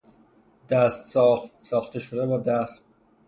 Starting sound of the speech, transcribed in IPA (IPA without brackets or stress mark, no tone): d̪